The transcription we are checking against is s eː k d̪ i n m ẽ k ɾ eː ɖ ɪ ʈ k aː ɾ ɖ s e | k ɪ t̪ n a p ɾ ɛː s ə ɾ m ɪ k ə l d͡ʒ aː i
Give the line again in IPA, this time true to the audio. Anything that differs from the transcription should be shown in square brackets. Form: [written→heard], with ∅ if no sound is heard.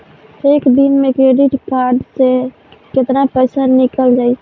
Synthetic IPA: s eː k d̪ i n m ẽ k ɾ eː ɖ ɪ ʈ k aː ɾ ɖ s e | k ɪ t̪ n a p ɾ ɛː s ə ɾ [m→n] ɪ k ə l d͡ʒ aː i